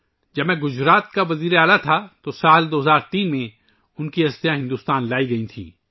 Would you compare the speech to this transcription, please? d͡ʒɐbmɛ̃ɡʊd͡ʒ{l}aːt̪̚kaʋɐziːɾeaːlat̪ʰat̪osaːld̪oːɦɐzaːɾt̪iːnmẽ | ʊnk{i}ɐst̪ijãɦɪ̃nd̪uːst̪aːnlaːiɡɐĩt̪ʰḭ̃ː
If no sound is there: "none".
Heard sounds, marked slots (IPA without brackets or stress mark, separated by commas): ɾ, i